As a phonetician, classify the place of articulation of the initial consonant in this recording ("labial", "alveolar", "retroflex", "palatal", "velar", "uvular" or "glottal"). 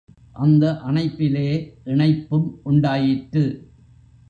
glottal